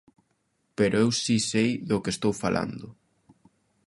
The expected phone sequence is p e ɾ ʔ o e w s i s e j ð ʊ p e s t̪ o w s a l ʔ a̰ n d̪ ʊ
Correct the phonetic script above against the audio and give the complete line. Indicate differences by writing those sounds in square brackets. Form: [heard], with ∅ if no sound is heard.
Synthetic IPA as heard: p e ɾ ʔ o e w s i s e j ð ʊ [k] e s t̪ o w [f] a l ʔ a̰ n d̪ ʊ